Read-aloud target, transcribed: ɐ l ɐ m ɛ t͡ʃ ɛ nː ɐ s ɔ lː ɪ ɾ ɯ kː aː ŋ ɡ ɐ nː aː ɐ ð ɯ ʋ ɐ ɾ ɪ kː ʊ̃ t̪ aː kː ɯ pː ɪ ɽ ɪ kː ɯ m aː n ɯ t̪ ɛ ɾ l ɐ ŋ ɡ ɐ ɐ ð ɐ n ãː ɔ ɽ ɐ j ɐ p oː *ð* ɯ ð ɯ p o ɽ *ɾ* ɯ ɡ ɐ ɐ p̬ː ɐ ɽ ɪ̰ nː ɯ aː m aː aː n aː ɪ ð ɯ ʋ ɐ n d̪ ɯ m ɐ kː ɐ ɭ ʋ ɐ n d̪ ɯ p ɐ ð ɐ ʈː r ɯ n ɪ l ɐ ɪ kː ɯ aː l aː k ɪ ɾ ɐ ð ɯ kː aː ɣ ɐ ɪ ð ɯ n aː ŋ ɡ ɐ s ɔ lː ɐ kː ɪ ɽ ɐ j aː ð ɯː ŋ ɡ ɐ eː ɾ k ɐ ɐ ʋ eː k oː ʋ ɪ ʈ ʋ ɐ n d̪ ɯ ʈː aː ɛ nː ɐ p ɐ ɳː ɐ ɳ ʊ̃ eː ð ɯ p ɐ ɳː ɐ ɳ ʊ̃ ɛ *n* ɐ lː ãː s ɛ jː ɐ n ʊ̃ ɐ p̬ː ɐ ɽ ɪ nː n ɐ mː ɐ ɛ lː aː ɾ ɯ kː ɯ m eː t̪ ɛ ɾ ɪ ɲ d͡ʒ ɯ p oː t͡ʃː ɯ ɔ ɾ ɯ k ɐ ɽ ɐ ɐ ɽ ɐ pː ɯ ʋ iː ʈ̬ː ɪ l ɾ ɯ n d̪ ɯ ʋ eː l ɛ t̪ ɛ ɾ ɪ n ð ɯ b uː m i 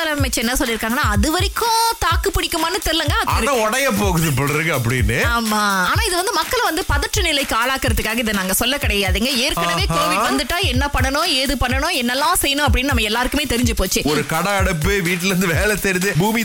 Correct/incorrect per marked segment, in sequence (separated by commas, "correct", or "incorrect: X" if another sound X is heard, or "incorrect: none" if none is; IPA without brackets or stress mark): incorrect: ɣ, correct, incorrect: nː